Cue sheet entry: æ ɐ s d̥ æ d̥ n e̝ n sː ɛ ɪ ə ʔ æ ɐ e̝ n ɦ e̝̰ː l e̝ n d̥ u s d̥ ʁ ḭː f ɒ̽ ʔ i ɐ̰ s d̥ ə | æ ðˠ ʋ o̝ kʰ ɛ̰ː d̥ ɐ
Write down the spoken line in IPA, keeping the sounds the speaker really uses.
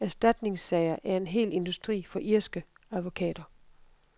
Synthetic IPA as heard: æ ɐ s d̥ æ d̥ n e̝ ŋ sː ɛ ɪ ɐ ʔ æ ɐ e̝ n ɦ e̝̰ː l e̝ n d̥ u s d̥ ʁ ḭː f ɒ̽ ʔ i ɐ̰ s ɡ̥ ə | æ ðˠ ʋ o̝ kʰ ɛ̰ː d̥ ɐ

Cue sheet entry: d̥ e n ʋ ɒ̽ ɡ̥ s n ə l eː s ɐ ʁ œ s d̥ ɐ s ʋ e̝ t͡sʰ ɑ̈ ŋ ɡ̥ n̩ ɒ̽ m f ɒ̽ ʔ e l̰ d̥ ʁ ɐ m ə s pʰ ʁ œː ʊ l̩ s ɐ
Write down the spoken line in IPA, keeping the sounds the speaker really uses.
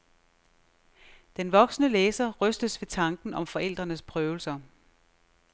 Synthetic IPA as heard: d̥ e n ʋ ɒ̽ ɡ̥ s n ə l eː s ɐ ʁ œ s d̥ ə s ʋ e̝ t͡sʰ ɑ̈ ŋ ɡ̥ n̩ ɒ̽ m f ɒ̽ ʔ e l̰ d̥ ʁ ɐ n ə s pʰ ʁ œː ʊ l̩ s ɐ

